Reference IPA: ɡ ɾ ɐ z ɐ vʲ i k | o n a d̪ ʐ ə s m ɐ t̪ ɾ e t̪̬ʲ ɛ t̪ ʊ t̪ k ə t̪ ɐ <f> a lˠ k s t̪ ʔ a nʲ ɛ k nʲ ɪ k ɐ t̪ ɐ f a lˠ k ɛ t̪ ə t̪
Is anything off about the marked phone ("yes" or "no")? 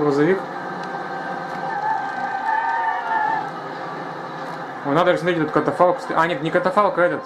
no